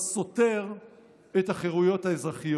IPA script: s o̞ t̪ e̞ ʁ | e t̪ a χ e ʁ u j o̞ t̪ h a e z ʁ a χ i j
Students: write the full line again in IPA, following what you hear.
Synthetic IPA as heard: s o̞ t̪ e̞ ʁ | e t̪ a χ e ʁ u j o̞ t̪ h a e z ʁ a χ i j